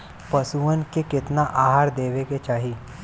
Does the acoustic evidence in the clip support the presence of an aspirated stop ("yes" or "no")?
no